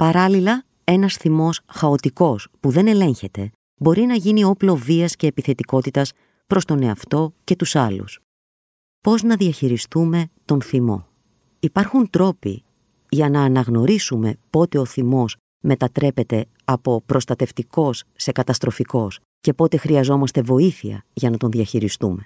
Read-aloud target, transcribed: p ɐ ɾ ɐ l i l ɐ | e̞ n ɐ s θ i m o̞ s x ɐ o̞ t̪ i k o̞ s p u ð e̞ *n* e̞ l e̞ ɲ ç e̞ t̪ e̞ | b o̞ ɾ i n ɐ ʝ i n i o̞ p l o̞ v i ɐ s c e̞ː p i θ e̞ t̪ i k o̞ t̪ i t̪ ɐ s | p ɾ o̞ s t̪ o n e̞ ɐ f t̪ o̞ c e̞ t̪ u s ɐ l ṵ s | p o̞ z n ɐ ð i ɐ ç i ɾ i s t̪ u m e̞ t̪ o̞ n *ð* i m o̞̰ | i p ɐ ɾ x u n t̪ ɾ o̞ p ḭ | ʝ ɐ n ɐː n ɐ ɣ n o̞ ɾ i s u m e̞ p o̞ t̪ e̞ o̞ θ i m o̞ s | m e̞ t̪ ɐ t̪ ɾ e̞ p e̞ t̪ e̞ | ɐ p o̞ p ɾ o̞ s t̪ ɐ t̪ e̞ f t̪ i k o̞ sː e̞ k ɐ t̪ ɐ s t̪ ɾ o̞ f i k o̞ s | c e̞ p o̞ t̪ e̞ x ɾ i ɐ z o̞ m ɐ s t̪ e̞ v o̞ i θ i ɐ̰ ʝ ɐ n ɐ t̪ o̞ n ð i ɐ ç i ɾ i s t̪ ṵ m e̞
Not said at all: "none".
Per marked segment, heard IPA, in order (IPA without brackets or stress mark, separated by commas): n, θ